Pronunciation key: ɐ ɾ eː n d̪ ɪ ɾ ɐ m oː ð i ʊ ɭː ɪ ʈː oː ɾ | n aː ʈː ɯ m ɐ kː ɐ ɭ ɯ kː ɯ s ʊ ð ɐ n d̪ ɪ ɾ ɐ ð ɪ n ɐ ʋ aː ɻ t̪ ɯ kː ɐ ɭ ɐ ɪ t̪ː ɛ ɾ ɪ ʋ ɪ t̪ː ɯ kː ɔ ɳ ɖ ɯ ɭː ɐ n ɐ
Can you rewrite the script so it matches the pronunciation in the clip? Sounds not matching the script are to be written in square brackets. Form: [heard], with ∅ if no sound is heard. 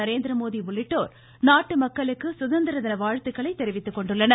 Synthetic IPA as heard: ɐ ɾ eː n d̪ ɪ ɾ ɐ m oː ð i ʊ ɭː ɪ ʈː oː ɾ | n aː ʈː ɯ m ɐ kː ɐ ɭ ɯ kː ɯ s ʊ ð ɐ n d̪ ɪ ɾ ɐ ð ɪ n ɐ ʋ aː ɻ t̪ ɯ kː ɐ ɭ ɐ ɪ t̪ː ɛ ɾ ɪ ʋ ɪ t̪ː ɯ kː ɔ ɳ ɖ ɯ ɭː ɐ n ɐ